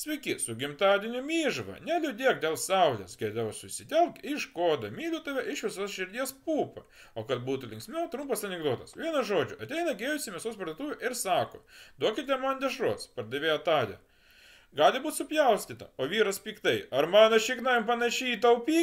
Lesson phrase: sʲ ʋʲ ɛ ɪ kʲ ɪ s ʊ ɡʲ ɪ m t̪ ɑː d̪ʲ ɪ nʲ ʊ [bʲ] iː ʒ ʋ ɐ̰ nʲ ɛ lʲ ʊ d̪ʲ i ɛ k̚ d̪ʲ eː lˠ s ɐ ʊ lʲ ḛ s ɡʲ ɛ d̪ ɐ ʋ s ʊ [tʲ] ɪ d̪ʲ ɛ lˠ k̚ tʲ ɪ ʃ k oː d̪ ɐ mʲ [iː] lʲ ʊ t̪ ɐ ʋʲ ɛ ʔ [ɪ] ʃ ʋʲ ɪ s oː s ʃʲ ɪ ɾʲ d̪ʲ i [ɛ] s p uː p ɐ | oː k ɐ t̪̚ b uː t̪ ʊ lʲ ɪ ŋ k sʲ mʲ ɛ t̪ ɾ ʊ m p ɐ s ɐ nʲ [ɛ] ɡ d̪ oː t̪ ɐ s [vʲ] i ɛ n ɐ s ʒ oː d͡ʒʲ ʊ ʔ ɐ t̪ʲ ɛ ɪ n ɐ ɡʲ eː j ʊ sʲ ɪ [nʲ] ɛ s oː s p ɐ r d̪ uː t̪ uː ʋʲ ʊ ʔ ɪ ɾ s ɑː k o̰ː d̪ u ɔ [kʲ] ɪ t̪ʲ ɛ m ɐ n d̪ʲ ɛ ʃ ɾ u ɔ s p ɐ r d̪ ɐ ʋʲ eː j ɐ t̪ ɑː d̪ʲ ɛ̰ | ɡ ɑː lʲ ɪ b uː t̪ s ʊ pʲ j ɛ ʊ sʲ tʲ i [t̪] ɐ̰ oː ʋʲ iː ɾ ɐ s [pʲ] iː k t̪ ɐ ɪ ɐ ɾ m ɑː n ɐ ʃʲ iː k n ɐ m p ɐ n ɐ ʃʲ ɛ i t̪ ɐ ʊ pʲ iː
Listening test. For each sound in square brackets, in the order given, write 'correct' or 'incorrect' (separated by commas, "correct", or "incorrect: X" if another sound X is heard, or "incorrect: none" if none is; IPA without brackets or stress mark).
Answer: incorrect: mʲ, incorrect: sʲ, correct, correct, correct, correct, incorrect: ʋʲ, incorrect: mʲ, correct, correct, correct